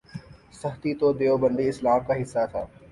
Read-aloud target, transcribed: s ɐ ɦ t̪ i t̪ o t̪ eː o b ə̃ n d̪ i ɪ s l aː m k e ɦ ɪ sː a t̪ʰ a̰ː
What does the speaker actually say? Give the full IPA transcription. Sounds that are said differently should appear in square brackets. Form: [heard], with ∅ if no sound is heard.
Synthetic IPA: s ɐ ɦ t̪ i t̪ o [d̪] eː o b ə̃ n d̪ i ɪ s l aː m k [a] ɦ ɪ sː a t̪ʰ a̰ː